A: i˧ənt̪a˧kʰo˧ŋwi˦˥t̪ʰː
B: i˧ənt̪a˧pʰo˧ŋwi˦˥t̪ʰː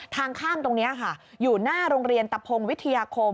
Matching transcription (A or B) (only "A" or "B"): B